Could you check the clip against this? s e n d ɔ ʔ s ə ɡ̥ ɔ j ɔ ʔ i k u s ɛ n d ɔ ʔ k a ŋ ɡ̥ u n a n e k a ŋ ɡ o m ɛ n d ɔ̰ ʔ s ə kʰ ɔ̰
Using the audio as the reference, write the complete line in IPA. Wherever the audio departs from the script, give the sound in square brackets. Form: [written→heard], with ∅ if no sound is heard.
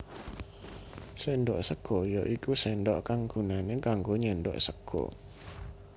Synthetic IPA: s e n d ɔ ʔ s ə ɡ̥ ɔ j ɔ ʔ i k u s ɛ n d ɔ ʔ k a ŋ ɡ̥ u n a n e k a ŋ ɡ o [m→ɲ] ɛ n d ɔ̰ ʔ s ə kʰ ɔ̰